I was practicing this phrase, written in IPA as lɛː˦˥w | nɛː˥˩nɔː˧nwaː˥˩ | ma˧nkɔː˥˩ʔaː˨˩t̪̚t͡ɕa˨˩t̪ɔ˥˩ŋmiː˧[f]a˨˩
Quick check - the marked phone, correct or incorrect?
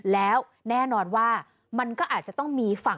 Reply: correct